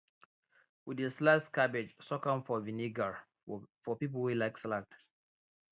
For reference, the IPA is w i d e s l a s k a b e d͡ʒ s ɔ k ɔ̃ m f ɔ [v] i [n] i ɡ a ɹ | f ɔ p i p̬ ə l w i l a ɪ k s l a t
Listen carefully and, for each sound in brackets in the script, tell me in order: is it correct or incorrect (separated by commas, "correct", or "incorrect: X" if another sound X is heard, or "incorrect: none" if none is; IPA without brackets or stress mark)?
correct, correct